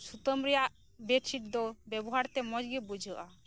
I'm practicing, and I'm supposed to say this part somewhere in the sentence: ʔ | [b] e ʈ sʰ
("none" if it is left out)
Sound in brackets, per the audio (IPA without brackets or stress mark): b